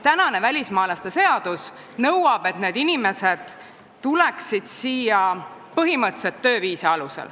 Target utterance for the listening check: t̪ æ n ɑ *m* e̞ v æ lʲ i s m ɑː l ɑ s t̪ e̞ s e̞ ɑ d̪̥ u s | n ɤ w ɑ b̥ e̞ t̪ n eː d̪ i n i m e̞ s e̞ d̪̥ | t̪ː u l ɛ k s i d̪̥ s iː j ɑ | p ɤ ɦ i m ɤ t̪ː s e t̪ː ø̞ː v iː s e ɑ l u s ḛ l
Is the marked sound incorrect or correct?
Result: incorrect